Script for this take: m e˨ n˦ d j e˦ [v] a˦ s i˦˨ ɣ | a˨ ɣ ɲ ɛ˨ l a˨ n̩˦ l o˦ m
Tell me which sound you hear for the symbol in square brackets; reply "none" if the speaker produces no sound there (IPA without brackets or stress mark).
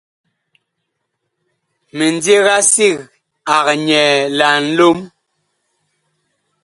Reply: ɣ